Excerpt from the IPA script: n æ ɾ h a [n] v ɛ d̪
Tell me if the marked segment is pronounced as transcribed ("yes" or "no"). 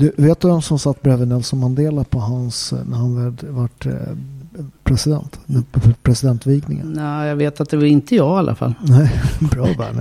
yes